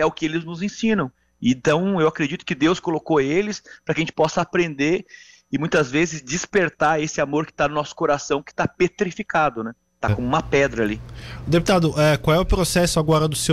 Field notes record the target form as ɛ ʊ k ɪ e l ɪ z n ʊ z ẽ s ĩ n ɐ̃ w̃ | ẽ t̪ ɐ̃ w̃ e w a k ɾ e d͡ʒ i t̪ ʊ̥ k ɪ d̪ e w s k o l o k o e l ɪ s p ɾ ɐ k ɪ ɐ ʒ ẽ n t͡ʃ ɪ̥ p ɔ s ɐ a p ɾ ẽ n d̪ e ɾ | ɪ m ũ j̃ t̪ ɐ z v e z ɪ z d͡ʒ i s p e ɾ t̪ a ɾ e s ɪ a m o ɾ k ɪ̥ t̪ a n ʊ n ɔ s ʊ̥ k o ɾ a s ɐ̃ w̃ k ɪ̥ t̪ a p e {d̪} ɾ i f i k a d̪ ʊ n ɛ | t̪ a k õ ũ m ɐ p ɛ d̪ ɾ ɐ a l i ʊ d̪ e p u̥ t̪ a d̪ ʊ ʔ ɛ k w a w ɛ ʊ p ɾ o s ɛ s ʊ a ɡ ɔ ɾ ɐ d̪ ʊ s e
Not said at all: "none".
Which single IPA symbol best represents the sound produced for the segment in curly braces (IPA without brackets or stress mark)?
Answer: t̪